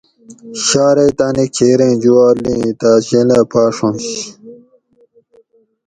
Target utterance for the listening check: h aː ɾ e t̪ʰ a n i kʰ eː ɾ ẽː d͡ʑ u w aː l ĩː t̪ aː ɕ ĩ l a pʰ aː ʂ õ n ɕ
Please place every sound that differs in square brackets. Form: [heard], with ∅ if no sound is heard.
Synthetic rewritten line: [ɕ] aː ɾ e [t̪] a n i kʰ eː ɾ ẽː d͡ʑ u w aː l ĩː t̪ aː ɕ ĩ l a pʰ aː ʂ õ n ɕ